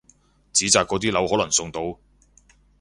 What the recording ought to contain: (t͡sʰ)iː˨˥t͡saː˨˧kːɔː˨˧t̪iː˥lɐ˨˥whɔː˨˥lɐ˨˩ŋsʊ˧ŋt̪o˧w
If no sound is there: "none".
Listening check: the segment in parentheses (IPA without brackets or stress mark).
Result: t͡s